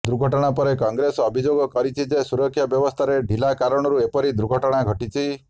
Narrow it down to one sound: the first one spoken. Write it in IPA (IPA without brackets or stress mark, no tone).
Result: d̪